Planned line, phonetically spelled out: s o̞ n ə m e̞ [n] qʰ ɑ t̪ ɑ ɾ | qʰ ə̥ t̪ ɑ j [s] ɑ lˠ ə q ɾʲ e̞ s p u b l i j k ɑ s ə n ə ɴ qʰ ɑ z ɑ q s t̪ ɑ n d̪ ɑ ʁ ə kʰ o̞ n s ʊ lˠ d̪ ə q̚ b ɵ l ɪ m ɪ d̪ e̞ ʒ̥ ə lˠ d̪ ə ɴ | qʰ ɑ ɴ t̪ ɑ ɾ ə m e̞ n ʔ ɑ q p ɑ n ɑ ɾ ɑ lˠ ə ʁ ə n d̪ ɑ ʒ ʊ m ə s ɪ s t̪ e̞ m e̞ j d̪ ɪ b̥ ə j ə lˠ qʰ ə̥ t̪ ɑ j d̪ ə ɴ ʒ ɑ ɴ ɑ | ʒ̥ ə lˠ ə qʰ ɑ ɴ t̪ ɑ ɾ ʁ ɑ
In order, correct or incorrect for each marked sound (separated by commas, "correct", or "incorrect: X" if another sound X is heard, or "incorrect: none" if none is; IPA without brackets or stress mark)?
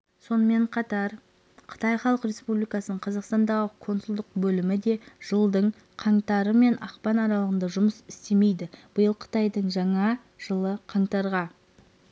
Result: incorrect: ɴ, incorrect: χ